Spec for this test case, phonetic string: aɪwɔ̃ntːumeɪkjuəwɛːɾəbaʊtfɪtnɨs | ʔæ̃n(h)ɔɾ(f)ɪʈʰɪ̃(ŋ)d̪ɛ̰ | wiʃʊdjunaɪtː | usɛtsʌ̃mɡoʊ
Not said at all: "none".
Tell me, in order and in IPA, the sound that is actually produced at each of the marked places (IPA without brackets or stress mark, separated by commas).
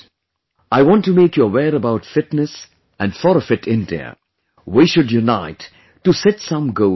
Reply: f, f, n